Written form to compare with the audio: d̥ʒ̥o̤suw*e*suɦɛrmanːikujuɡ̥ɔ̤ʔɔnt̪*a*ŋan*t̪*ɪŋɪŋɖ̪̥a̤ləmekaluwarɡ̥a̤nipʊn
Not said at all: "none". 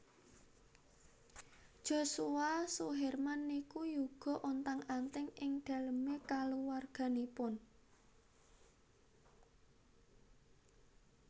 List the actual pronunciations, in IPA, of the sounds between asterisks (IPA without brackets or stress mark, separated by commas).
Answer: a, a, t̪